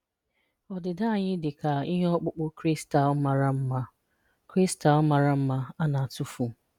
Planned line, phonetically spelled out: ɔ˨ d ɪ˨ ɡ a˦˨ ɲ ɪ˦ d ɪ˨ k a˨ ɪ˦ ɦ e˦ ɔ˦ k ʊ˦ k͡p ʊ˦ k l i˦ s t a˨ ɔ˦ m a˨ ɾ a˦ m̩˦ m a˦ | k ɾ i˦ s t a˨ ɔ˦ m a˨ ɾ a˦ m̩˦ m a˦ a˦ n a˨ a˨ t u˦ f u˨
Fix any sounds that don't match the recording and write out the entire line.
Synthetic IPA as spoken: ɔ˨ d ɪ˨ d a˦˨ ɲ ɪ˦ d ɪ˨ k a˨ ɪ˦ ɦ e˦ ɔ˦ k͡p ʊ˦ k͡p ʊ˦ k ɾ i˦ s t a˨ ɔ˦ m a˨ ɾ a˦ m̩˦ m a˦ | k ɾ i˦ s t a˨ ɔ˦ m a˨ ɾ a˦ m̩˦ m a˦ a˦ n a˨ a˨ t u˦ f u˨